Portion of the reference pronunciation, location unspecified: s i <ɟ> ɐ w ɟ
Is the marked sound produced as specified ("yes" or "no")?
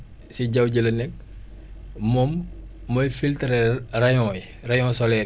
yes